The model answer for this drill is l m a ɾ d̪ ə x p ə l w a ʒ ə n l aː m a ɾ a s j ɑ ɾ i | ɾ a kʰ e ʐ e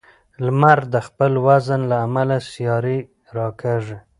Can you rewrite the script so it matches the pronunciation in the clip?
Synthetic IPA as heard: l m a ɾ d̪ ə x p ə l w a z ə n l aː m a l a s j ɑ ɾ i | ɾ ɑ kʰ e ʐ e